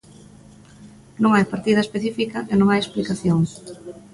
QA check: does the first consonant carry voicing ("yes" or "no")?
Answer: yes